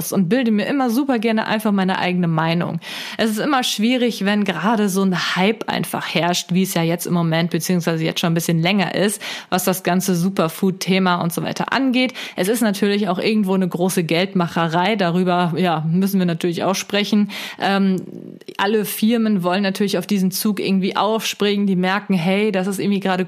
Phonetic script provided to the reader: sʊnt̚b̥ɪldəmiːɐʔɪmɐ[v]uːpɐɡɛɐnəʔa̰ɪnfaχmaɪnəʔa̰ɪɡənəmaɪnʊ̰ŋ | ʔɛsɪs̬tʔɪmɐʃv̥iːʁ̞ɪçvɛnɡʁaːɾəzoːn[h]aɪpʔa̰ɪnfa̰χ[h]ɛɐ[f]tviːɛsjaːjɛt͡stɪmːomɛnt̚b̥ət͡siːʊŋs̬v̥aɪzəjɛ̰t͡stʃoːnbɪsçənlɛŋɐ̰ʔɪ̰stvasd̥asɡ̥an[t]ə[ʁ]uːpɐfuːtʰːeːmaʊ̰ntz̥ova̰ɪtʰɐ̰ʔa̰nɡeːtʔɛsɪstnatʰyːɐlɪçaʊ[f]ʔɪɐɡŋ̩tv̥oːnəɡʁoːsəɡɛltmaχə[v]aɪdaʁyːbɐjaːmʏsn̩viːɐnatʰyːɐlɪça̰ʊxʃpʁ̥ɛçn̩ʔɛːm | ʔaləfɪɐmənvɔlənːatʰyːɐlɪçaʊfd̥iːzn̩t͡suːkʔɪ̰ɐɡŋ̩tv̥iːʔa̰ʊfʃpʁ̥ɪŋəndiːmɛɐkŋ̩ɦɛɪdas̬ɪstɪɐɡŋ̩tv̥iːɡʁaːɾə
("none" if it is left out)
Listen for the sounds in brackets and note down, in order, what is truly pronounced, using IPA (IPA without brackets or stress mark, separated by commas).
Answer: z, h, h, ʃ, t͡s, z, x, ʁ